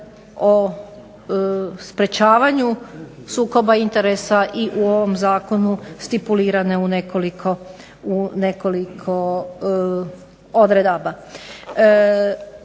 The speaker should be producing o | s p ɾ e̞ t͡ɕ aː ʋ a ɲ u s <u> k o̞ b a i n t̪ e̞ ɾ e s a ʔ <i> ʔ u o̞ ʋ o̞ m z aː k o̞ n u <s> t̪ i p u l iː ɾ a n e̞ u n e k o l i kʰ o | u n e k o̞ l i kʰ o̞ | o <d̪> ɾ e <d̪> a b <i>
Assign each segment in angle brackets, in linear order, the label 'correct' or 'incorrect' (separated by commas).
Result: incorrect, correct, correct, correct, correct, incorrect